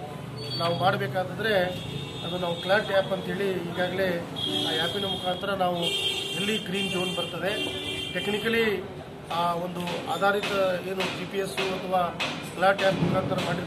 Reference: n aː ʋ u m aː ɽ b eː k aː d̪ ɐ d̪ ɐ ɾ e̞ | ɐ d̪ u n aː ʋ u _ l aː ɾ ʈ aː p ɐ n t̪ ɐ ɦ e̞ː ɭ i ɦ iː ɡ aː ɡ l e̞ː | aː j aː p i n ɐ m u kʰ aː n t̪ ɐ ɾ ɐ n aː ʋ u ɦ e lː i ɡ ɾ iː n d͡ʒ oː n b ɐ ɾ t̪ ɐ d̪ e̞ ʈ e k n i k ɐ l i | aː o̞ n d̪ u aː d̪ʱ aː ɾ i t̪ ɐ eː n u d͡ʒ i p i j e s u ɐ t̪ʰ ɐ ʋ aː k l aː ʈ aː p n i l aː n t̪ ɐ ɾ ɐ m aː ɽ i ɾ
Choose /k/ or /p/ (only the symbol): k